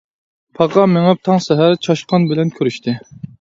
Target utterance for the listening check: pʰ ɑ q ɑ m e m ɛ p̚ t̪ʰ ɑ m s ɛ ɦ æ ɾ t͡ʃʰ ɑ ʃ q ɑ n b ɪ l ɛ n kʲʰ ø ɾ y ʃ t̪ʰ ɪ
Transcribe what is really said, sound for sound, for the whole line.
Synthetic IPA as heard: pʰ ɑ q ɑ m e ŋ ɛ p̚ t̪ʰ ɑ ŋ s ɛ ɦ æ ɾ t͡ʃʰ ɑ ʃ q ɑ n b ɪ l ɛ n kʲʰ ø ɾ y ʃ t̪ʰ ɪ